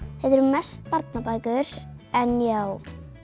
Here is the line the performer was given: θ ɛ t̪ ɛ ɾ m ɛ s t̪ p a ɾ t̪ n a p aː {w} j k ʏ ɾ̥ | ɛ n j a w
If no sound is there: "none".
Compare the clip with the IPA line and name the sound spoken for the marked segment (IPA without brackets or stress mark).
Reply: none